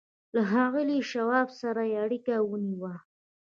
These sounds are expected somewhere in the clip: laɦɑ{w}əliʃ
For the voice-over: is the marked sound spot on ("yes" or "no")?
no